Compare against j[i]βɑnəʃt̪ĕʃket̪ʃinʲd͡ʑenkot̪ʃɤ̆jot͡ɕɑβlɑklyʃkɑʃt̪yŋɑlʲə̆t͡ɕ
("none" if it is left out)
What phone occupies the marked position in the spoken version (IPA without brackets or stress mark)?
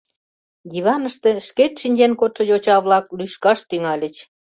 i